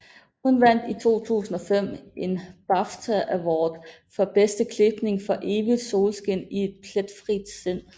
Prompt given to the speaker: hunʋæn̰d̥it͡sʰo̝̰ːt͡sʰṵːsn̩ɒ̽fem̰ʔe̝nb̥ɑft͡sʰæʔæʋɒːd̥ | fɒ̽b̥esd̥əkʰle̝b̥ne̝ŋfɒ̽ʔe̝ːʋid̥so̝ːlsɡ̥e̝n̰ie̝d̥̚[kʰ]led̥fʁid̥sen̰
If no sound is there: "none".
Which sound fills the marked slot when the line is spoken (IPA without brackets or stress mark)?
pʰ